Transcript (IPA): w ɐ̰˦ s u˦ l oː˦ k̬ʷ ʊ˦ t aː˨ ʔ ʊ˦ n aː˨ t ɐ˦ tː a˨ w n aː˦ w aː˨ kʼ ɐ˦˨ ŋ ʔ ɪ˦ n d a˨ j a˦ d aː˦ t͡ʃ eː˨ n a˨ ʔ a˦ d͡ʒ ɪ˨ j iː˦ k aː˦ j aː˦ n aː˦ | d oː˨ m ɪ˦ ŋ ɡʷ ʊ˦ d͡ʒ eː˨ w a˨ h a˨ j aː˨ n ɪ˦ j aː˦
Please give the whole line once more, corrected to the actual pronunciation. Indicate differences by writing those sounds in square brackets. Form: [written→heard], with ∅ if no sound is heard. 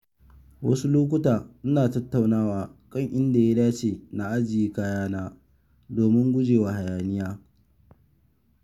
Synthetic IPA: w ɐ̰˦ s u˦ l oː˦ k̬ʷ ʊ˦ t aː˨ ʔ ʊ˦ n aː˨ t ɐ˦ tː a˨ w n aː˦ w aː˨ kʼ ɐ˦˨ ŋ ʔ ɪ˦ n d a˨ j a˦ d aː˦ t͡ʃ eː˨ n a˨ ʔ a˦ d͡ʒ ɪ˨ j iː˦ k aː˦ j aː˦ n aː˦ | d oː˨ m ɪ˦ ŋ ɡʷ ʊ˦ d͡ʒ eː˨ w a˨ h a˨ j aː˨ n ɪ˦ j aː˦